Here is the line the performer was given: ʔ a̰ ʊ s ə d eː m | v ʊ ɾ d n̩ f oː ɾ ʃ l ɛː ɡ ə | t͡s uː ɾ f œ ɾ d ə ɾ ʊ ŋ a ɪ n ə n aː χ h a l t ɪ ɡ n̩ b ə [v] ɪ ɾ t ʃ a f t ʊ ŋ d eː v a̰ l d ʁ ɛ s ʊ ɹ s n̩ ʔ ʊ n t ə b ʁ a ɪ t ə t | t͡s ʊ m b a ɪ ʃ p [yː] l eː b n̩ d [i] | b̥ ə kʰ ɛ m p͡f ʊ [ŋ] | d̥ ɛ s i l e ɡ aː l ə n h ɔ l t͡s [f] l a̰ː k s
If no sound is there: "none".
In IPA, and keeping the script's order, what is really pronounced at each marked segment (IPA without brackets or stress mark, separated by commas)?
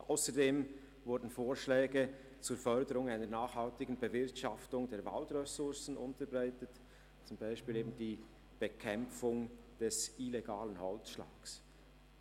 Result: v, iː, iː, ŋ, ʃ